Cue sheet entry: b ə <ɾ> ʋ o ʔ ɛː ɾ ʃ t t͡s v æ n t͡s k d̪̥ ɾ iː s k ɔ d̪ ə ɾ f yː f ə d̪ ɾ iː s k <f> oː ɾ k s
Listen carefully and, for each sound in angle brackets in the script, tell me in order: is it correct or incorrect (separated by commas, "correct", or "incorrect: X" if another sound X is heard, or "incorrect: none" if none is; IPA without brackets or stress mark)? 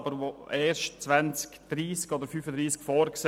correct, correct